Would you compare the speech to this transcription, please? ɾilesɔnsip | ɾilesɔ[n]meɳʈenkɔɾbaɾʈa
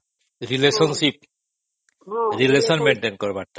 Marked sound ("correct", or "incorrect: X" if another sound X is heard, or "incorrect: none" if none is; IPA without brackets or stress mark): correct